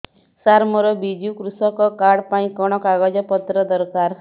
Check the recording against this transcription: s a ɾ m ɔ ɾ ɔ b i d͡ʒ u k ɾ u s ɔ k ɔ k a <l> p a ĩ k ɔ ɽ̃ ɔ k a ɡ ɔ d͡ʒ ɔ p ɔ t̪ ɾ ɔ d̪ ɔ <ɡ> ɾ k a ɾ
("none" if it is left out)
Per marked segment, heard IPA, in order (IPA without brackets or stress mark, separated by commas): ɽ, none